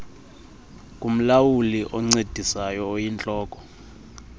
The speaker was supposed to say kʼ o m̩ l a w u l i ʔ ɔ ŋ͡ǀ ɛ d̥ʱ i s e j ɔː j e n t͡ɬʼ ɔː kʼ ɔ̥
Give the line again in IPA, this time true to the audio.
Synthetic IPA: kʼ u m̩ l a w u l i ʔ ɔ ŋ͡ǀ e d̥ʱ i s a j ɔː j i n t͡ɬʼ ɔː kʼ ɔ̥